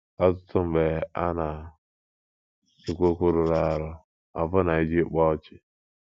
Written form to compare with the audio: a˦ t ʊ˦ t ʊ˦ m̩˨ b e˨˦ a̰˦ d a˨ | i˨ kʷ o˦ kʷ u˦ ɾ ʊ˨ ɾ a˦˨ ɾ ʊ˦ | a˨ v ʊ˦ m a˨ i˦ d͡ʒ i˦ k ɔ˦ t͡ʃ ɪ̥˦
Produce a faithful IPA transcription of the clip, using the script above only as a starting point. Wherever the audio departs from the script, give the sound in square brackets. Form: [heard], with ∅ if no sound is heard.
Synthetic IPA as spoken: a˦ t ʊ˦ t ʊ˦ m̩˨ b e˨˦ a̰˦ [n] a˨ | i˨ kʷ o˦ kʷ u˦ ɾ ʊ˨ ɾ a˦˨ ɾ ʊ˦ | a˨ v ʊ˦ [n] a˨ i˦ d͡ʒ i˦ [k͡p] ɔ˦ t͡ʃ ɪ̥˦

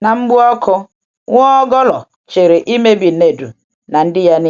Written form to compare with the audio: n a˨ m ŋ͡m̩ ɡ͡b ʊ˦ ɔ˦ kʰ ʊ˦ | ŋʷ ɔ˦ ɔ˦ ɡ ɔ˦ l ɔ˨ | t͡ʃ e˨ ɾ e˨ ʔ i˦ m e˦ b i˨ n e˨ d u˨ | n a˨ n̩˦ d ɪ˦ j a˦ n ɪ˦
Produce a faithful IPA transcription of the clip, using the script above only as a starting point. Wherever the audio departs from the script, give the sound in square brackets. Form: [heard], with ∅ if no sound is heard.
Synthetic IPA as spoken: n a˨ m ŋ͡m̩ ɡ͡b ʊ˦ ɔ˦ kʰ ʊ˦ | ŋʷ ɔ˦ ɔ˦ ɡ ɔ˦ l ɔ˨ | t͡ʃ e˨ ɾ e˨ ʔ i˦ m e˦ b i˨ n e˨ d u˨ | n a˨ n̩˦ d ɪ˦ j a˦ n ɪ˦

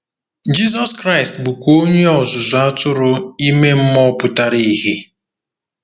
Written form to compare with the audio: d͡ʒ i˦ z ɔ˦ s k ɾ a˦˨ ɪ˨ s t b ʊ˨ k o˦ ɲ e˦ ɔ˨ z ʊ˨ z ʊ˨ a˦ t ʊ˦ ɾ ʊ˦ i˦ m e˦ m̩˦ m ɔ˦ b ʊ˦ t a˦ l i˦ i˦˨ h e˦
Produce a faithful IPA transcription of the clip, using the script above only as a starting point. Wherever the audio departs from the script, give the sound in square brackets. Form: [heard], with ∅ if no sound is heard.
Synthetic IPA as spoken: d͡ʒ i˦ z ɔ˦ s k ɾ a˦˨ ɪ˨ s t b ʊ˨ k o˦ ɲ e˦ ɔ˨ z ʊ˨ z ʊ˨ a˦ t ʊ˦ ɾ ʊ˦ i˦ m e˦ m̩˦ m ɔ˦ [p] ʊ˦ t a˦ [ɾ] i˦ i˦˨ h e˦

